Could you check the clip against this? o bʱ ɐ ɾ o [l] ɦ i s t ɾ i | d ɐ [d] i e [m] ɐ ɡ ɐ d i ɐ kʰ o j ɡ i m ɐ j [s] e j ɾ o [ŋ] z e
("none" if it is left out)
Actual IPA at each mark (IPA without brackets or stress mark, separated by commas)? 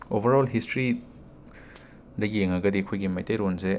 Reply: l, ɡ, ŋ, t, n